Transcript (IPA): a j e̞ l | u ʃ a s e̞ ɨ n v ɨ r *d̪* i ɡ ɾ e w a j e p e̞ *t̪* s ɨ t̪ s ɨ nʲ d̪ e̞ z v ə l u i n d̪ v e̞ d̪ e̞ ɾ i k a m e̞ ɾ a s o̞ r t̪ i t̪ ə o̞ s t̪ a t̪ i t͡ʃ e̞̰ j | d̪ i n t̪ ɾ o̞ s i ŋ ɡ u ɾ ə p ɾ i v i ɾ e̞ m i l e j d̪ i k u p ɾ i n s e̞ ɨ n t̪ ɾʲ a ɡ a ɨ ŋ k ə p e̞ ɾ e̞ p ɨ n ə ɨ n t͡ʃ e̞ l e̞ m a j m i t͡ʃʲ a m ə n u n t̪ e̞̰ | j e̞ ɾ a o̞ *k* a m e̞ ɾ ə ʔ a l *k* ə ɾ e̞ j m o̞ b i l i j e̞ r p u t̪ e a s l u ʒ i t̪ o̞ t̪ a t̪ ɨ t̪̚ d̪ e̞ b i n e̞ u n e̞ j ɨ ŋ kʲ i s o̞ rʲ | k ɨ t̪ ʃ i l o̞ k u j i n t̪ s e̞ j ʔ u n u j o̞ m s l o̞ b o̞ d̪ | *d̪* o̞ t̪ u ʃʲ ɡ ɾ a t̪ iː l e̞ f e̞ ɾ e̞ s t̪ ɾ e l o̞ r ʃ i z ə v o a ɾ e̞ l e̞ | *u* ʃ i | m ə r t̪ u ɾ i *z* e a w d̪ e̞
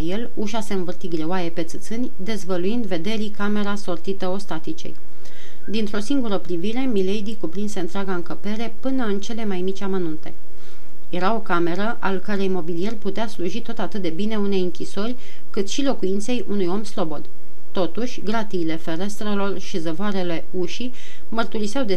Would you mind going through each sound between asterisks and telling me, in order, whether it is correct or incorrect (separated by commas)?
incorrect, correct, correct, correct, incorrect, correct, incorrect